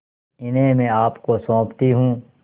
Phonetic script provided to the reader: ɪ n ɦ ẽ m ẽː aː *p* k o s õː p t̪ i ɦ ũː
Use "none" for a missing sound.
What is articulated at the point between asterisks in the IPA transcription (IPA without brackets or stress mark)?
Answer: p